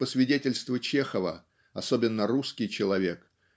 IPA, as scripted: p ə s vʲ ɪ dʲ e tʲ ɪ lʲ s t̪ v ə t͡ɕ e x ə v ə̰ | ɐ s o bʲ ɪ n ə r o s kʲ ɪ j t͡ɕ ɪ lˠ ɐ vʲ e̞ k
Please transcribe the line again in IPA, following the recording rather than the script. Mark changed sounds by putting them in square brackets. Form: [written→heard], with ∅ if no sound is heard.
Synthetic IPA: p ə s vʲ ɪ dʲ e tʲ ɪ lʲ s t̪ v ə t͡ɕ e x ə v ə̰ | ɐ s o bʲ ɪ [n→nː] ə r [o→u] s kʲ ɪ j t͡ɕ ɪ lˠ ɐ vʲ e̞ k